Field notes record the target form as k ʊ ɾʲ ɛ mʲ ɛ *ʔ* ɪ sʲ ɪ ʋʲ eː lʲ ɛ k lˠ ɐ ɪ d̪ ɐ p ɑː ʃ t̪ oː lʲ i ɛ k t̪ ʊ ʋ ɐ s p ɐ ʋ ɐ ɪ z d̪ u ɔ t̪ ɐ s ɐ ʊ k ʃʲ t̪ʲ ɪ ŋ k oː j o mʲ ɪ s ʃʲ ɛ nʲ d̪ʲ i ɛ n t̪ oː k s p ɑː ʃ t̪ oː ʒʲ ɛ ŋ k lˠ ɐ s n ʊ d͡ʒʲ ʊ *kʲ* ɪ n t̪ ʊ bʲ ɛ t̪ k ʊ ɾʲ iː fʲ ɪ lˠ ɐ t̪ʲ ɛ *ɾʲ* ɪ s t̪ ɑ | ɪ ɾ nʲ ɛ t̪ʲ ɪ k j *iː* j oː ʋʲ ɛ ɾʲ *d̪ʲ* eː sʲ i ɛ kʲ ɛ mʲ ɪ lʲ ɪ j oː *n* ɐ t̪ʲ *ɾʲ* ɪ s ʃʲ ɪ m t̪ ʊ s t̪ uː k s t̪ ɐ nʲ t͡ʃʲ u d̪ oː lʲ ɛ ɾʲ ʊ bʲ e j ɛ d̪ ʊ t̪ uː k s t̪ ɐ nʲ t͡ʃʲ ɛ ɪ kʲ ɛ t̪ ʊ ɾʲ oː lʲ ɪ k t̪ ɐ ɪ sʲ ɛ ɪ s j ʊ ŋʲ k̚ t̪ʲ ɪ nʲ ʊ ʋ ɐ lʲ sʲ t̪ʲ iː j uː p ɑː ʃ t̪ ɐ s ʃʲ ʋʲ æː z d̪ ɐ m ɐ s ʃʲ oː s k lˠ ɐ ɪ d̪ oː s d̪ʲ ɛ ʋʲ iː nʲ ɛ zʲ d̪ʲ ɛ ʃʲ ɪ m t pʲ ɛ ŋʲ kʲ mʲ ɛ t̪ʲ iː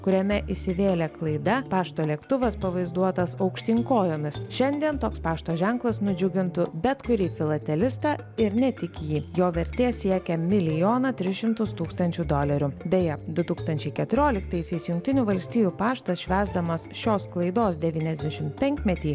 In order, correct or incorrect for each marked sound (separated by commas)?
correct, incorrect, incorrect, correct, incorrect, correct, correct